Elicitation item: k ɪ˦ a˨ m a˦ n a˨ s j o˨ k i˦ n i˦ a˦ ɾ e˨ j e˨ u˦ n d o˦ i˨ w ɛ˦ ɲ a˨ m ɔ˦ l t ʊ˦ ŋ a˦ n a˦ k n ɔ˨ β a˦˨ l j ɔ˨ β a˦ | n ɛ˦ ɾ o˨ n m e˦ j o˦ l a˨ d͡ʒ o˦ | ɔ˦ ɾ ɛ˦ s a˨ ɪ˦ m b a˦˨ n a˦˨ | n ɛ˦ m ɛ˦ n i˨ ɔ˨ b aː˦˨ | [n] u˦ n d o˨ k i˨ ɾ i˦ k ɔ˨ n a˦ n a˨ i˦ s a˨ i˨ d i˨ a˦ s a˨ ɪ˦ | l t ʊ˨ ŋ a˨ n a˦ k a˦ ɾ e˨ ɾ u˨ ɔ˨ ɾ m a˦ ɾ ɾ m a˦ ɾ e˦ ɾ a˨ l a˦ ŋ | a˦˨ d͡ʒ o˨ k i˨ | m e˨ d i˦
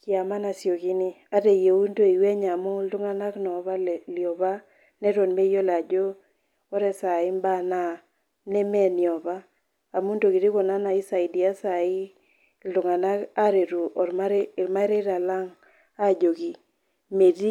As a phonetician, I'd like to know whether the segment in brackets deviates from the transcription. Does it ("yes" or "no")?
yes